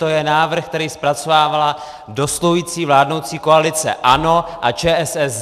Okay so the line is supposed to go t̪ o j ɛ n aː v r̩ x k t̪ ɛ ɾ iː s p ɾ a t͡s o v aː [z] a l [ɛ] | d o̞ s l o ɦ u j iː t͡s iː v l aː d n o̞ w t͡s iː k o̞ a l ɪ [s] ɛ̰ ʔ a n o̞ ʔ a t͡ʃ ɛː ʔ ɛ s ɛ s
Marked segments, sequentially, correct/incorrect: incorrect, incorrect, incorrect

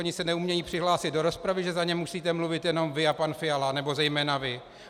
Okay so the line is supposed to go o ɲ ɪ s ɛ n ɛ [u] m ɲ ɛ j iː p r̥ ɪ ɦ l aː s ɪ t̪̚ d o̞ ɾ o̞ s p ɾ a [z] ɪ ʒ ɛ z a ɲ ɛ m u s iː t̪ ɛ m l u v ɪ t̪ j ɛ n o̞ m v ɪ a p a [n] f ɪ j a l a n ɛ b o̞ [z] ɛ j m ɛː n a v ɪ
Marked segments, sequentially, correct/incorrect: correct, incorrect, correct, correct

